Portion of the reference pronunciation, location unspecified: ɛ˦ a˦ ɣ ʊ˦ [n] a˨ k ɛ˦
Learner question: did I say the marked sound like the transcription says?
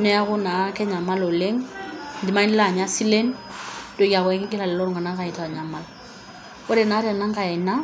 yes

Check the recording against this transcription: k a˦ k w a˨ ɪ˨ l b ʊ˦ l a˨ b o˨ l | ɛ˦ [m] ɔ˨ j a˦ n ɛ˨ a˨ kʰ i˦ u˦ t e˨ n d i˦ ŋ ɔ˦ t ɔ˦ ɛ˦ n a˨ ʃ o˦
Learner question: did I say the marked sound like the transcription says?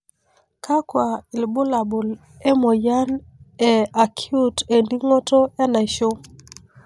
yes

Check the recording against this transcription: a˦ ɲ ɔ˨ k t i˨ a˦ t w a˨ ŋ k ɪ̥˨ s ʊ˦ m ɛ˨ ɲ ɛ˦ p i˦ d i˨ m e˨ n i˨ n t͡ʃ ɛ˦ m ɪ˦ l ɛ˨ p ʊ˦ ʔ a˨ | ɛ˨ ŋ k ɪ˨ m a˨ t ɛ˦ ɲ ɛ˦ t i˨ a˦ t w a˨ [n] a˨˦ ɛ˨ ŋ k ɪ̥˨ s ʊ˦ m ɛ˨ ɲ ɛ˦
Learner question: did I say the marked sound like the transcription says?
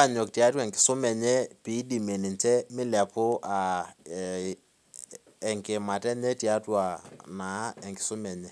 yes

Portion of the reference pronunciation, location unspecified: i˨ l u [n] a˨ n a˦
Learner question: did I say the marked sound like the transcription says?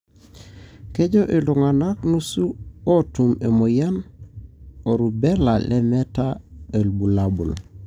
no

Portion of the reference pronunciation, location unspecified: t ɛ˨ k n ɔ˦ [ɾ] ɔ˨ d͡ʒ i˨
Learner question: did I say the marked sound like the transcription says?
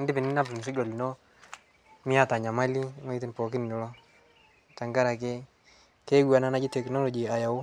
no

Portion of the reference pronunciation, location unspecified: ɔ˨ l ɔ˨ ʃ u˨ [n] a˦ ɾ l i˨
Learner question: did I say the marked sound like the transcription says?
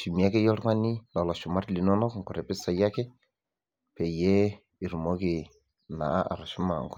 no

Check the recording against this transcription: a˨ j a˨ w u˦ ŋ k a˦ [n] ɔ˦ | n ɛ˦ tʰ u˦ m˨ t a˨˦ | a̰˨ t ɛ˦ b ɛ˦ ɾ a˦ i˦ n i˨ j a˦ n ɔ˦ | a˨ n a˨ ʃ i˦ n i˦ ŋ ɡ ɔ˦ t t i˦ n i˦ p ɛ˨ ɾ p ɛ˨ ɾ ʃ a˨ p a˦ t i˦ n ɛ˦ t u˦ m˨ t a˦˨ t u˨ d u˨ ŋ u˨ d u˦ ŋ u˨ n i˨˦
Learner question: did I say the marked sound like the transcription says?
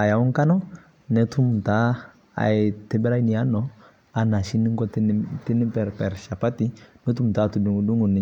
yes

